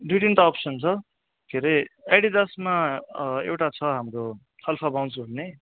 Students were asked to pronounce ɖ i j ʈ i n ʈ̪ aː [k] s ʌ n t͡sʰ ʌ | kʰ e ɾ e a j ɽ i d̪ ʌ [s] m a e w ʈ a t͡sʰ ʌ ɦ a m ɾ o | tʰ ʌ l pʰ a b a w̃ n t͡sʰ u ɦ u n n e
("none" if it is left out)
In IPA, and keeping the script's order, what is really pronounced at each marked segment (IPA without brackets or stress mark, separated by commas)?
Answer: p, s